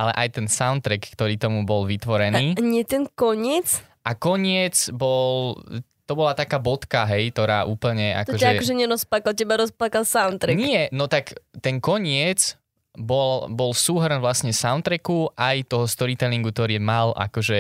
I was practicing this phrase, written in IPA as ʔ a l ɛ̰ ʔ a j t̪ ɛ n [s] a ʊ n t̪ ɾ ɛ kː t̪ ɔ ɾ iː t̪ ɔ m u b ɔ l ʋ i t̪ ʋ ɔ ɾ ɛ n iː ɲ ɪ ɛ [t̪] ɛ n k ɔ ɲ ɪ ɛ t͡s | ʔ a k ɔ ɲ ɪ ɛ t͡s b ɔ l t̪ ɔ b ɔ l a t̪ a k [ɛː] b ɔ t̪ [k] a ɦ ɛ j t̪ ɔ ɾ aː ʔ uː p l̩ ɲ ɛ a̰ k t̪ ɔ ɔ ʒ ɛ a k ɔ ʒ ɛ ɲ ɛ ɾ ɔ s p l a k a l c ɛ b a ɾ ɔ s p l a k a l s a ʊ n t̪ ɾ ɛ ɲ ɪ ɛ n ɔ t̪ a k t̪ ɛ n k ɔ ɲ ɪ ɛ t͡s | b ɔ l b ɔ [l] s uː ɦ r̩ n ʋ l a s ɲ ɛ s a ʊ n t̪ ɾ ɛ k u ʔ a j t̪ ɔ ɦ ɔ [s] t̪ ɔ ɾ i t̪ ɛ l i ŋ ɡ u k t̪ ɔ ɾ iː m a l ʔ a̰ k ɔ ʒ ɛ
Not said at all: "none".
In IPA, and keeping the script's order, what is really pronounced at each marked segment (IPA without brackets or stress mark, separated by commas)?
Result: s, t̪, aː, k, l, s